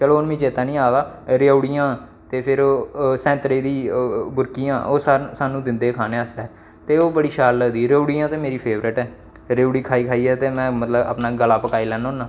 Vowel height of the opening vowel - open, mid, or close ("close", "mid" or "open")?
mid